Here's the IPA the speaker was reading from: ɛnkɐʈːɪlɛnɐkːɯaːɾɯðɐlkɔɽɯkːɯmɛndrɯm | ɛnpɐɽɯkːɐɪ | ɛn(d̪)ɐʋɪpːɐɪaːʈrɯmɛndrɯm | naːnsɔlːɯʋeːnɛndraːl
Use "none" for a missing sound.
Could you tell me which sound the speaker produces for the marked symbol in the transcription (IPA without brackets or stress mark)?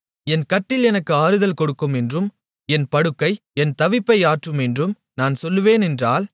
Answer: t̪